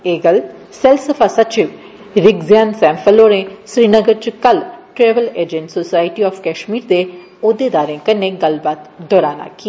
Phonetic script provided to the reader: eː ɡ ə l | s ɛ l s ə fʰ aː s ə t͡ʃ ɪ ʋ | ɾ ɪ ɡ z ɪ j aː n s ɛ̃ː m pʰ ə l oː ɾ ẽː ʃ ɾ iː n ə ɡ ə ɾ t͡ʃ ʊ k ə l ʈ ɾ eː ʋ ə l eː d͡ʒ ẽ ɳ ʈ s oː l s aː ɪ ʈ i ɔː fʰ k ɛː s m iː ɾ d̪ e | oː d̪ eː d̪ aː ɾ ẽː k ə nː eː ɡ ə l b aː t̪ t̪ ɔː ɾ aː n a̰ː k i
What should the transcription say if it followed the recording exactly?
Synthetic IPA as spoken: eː ɡ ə l | s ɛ l s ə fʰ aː s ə t͡ʃ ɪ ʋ | ɾ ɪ ɡ z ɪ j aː n s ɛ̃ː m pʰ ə l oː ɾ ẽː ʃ ɾ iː n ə ɡ ə ɾ t͡ʃ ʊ k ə l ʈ ɾ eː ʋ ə l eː d͡ʒ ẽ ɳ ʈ s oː s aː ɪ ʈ i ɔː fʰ k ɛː ʃ m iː ɾ d̪ e | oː d̪ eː d̪ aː ɾ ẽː k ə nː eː ɡ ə l b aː t̪ d̪ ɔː ɾ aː n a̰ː k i